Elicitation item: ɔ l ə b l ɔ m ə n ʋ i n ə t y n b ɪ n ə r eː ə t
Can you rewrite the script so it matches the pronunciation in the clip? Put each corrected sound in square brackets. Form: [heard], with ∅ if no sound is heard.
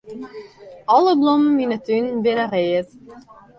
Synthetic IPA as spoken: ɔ l ə b l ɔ m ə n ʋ i n ə t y n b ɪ n ə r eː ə t